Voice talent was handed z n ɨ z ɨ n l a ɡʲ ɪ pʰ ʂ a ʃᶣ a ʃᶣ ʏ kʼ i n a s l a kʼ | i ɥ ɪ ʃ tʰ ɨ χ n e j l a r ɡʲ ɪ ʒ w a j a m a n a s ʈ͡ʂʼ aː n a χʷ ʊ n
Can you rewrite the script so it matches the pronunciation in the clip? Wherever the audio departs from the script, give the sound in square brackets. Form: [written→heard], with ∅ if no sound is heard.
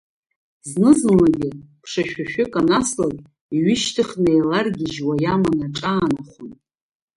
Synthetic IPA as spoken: z n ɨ z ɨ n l a ɡʲ ɪ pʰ ʂ a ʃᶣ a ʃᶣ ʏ kʼ [i→a] n a s l a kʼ | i ɥ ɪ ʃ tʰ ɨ χ n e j l a r ɡʲ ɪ ʒ w a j a m a n a [s→∅] ʈ͡ʂʼ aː n a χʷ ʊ n

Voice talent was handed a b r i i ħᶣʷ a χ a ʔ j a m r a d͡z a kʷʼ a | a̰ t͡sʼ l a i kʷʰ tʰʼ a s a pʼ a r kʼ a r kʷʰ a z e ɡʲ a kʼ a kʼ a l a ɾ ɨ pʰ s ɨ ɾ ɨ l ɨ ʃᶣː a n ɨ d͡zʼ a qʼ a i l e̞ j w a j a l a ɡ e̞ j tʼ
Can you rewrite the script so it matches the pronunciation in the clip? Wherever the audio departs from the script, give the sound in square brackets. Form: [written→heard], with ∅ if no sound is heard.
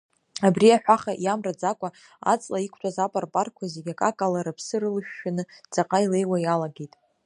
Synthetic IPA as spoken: a b r i [i→a] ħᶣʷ a χ a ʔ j a m r a d͡z a kʷʼ a | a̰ t͡sʼ l a i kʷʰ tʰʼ a [s→z] a pʼ a r [kʼ→pʼ] a r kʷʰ a z e ɡʲ a kʼ a kʼ a l a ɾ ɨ pʰ s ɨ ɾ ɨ l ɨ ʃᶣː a n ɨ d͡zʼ a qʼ a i l e̞ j w a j a l a ɡ e̞ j tʼ

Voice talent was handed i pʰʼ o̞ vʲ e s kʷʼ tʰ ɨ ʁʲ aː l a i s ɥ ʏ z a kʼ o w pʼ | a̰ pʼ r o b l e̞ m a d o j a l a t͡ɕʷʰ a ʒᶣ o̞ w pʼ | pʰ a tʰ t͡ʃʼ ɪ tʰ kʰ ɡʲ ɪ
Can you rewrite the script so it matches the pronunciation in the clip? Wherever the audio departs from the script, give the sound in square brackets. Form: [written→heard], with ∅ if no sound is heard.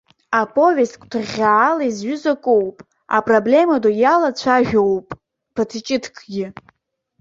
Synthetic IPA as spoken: [i→a] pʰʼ o̞ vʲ e s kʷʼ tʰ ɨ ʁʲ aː l a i [s→z] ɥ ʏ z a kʼ o w pʼ | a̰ pʼ r o b l e̞ m a d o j a l a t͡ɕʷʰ a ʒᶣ o̞ w pʼ | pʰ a tʰ t͡ʃʼ ɪ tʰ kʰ ɡʲ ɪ

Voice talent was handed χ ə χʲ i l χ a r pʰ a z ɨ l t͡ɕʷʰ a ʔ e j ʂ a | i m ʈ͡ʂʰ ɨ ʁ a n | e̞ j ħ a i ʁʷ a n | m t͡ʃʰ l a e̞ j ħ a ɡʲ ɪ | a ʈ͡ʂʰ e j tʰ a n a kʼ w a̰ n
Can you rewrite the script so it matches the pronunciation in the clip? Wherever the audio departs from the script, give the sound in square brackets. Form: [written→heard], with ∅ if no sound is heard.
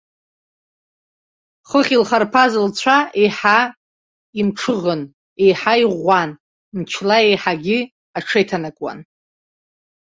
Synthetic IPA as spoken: χ ə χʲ i l χ a r pʰ a z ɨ l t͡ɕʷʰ a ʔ e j [ʂ→ħ] a | i m ʈ͡ʂʰ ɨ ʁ [a→ə] n | e̞ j ħ a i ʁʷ a n | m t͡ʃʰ l a e̞ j ħ a ɡʲ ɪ | a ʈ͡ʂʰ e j tʰ a n a kʼ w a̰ n

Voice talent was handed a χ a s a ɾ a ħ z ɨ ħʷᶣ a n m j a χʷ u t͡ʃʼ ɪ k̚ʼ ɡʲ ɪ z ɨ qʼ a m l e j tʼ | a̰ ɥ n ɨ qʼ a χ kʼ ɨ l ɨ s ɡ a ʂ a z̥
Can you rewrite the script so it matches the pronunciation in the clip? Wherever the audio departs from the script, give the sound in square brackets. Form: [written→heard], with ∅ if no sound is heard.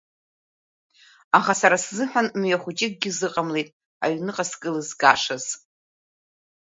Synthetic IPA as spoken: a χ a s a ɾ a [ħ→s] z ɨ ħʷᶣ a n m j a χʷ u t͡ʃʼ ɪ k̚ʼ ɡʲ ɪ z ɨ qʼ a m l e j tʼ | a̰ ɥ n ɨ qʼ a [χ→s] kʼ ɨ l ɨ [s→z] ɡ a ʂ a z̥

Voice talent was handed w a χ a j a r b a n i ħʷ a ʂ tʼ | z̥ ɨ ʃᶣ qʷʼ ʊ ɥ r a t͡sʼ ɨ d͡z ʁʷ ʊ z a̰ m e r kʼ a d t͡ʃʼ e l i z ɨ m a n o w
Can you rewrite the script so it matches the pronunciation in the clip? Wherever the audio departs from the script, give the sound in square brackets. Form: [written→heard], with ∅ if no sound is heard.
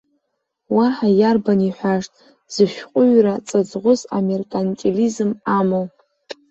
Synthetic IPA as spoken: w a [χ→ħ] a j a r b a n i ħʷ a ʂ tʼ | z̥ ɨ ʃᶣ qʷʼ ʊ ɥ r a t͡sʼ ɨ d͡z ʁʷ ʊ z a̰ m e r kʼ a [d→n] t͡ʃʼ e l i z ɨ m a [n→m] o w

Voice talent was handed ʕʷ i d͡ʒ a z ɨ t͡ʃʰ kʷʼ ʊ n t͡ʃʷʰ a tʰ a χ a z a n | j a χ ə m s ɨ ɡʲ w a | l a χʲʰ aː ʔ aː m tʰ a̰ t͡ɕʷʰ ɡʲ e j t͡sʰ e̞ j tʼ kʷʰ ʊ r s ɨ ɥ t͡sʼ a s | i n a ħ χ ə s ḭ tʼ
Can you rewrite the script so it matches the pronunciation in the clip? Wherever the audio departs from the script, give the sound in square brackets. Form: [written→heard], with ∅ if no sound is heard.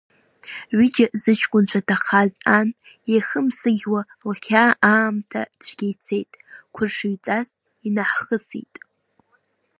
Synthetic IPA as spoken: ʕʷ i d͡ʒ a z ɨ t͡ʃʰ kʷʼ ʊ n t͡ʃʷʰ a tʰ a χ a z a n | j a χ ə m s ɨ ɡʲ w a | l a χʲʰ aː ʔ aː m tʰ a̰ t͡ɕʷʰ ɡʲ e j t͡sʰ e̞ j tʼ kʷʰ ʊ r [s→ʂ] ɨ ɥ t͡sʼ a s | i n a ħ χ ə s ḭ tʼ

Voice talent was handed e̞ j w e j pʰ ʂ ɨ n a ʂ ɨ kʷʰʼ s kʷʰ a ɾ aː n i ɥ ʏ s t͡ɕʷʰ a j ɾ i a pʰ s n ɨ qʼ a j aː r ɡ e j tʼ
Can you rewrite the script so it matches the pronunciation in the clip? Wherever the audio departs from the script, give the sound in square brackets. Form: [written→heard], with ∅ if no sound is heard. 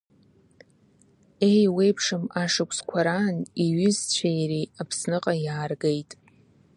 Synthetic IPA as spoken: e̞ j w e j pʰ ʂ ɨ [n→m] a ʂ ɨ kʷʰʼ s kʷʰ a ɾ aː n i ɥ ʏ [s→z] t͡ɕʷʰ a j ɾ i a pʰ s n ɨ qʼ a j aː r ɡ e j tʼ

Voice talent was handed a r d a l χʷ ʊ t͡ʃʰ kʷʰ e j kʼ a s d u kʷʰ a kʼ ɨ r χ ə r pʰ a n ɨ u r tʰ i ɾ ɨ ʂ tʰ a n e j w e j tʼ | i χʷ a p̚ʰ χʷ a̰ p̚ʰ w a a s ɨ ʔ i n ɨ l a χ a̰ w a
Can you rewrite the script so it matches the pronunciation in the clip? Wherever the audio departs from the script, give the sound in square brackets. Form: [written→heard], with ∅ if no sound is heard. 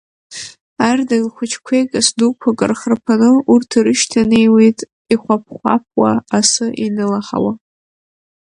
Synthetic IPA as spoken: a r d a l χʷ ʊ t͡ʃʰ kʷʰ e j kʼ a s d u kʷʰ a kʼ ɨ r χ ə r pʰ a n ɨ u r tʰ i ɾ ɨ [ʂ→ʃ] tʰ a n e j w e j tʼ | i χʷ a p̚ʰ χʷ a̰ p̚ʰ w a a s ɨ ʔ i n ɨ l a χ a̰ w a

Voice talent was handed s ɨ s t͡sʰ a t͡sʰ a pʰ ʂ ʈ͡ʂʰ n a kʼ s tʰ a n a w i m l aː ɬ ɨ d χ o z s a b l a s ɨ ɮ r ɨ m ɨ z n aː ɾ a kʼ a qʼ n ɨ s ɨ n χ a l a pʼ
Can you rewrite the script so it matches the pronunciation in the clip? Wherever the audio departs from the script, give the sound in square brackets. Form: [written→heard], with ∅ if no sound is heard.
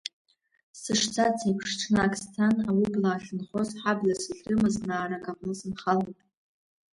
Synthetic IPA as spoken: s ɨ [s→ʂ] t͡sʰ a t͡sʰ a pʰ ʂ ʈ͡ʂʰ n a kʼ s tʰ a n a w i [m→b] l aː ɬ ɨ [d→n] χ o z [s→ħ] a b l a s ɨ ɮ r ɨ m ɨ z n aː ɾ a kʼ a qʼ n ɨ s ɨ n χ a l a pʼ

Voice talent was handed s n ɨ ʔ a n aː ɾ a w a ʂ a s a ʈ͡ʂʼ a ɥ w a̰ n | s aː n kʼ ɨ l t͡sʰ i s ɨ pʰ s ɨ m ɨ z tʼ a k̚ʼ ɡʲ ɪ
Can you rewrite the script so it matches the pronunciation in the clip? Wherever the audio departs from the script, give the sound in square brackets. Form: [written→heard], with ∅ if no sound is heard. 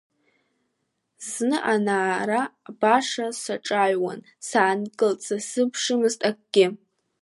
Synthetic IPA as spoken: [s→z] n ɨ ʔ a n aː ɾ a [w→b] a ʂ a s a ʈ͡ʂʼ a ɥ w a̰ n | s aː n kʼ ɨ l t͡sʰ [i→a] s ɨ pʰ [s→ʂ] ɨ m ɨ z tʼ a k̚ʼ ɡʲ ɪ

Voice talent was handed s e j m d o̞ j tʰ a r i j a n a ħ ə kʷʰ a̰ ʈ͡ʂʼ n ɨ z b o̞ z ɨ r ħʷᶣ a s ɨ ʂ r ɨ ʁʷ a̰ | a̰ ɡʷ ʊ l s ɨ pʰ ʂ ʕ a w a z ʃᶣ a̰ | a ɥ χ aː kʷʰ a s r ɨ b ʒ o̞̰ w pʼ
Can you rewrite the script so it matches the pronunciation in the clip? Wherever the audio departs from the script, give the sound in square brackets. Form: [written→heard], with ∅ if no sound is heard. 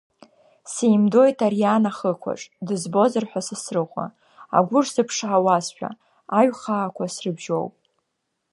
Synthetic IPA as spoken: s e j m d o̞ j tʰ a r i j a n a [ħ→χ] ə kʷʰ a̰ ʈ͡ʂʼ [n→d] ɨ z b o̞ z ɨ r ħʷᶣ a s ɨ [ʂ→s] r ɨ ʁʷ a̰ | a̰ ɡʷ ʊ [l→r] s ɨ pʰ ʂ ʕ a w a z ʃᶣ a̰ | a ɥ χ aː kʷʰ a s r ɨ b ʒ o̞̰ w pʼ

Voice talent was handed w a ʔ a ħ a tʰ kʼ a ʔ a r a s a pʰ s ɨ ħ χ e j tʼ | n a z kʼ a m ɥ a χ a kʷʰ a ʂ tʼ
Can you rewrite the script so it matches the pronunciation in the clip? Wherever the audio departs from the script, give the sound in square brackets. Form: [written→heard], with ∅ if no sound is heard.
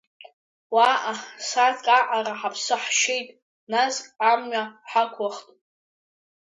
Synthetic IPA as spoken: w a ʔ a [ħ→s] a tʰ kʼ a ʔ a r a [s→ħ] a pʰ s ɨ ħ [χ→ʃ] e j tʼ | n a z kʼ a m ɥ a [χ→ħ] a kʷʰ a [ʂ→χ] tʼ

